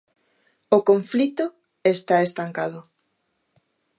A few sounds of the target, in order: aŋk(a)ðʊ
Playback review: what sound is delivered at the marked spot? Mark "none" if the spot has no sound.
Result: a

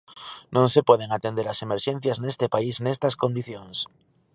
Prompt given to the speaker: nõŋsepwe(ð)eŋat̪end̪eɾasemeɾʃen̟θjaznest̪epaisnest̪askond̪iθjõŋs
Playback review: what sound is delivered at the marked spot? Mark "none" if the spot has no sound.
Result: ð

